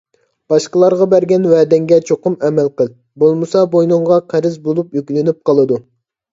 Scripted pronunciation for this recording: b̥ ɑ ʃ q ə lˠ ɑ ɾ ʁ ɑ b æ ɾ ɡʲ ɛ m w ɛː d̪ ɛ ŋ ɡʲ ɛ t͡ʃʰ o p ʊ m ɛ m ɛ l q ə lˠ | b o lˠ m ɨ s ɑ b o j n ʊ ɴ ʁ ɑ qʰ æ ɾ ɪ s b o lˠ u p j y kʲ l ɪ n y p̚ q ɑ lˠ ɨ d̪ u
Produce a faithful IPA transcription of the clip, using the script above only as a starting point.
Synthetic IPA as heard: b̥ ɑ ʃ q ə lˠ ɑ ɾ ʁ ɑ b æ ɾ ɡʲ ɛ n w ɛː d̪ ɛ ŋ ɡʲ ɛ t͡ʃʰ o q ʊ m ɛ m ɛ l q ə lˠ | b o lˠ m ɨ s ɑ b o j n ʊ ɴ ʁ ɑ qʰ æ ɾ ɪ z b o lˠ u p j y kʲ l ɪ n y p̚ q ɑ lˠ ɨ d̪ u